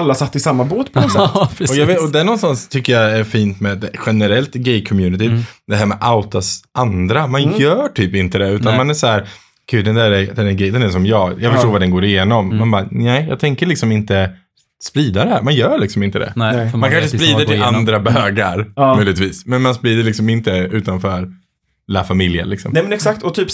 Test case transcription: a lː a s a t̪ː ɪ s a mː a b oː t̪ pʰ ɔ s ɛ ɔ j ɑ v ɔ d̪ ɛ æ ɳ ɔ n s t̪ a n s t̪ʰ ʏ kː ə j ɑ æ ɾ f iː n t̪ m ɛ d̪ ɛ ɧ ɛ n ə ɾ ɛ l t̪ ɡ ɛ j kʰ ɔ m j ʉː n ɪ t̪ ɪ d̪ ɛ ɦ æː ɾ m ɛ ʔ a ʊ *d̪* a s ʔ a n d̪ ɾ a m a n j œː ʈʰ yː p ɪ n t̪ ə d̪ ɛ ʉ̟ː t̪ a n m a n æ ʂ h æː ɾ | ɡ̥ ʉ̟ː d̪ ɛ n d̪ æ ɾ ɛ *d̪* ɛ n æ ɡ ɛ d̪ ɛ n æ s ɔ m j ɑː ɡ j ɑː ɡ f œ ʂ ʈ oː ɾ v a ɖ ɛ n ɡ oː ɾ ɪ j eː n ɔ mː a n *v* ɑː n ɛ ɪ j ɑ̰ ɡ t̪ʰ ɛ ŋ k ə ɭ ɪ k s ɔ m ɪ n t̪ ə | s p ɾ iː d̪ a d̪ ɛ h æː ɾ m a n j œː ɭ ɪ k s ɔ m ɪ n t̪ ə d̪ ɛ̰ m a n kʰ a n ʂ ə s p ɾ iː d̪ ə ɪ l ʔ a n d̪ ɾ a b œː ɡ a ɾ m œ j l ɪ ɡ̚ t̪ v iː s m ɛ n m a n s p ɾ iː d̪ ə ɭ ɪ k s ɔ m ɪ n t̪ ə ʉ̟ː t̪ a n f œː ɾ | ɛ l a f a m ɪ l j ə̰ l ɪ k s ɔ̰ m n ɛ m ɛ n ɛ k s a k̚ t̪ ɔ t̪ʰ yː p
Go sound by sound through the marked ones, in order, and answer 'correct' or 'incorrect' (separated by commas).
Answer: incorrect, correct, incorrect